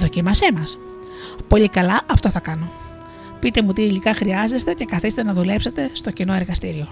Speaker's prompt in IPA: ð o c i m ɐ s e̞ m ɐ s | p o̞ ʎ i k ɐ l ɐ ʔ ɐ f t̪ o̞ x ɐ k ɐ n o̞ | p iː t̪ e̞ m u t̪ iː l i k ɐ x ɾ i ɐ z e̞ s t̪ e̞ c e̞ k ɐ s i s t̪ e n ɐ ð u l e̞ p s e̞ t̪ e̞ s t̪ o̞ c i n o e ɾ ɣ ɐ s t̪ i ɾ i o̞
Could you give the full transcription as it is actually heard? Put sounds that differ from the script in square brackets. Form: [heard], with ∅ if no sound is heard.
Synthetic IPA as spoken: ð o c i m ɐ s e̞ m ɐ s | p o̞ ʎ i k ɐ l ɐ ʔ ɐ f t̪ o̞ [θ] ɐ k ɐ n o̞ | p [i] t̪ e̞ m u t̪ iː l i k ɐ x ɾ i ɐ z e̞ s t̪ e̞ c e̞ k ɐ [θ] i s t̪ e n ɐ ð u l e̞ p s e̞ t̪ e̞ s t̪ o̞ c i n o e ɾ ɣ ɐ s t̪ i ɾ i o̞